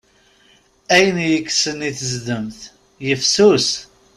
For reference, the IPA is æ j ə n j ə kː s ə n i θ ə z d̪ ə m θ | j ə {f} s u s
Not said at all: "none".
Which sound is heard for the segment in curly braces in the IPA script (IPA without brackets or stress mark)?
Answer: f